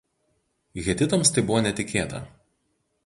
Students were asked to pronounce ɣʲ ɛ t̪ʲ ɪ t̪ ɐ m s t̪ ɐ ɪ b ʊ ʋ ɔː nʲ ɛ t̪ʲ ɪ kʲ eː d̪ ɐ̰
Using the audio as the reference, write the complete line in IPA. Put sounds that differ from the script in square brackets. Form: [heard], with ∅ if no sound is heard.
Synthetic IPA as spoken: ɣʲ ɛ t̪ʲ ɪ t̪ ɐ m s t̪ ɐ ɪ b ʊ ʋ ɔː nʲ ɛ t̪ʲ ɪ kʲ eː [t̪] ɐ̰